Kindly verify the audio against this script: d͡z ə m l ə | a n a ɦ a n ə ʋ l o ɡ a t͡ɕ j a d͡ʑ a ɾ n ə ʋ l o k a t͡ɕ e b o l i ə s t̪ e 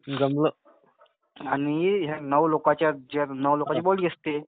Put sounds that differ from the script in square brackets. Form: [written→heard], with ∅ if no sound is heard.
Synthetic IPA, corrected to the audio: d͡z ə m l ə | a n [a→i] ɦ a n ə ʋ l o [ɡ→k] a t͡ɕ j a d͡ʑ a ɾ n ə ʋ l o k a t͡ɕ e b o l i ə s t̪ e